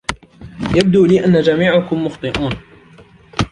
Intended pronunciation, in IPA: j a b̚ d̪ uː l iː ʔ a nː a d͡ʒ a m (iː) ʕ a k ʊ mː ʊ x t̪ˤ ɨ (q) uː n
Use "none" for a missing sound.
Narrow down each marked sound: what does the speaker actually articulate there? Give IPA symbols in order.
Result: iː, ʔ

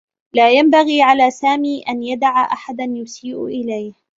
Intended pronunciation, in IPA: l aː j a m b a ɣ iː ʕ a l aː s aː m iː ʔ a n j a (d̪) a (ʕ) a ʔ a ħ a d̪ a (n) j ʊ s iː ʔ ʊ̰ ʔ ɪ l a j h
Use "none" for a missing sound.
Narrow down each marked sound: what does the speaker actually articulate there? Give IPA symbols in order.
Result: d̪, ʕ, n

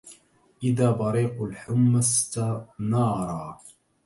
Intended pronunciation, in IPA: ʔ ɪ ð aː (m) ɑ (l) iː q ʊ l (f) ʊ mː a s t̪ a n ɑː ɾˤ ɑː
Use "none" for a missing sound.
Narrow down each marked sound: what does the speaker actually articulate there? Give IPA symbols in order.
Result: b, ɾ, ħ

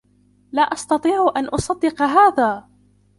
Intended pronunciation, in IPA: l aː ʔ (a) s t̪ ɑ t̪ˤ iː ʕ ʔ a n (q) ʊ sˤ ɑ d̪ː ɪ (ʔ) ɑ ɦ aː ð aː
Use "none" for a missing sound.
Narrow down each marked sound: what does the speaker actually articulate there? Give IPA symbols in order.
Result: ɑ, ʔ, q

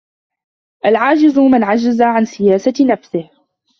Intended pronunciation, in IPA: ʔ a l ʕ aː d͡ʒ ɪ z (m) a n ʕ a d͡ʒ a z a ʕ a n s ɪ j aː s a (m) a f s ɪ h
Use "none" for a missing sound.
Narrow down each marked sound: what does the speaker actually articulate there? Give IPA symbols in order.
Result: m, n

